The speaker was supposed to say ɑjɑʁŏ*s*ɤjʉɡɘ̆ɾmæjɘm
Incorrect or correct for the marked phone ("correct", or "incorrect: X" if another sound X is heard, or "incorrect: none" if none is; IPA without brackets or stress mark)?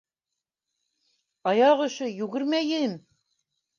incorrect: ʃ